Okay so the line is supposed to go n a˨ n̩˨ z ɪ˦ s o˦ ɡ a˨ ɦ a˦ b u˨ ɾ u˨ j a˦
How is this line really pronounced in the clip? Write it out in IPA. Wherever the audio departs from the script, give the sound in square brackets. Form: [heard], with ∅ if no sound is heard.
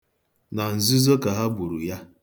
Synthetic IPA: n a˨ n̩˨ z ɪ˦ [z] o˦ [k] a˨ ɦ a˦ b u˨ ɾ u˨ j a˦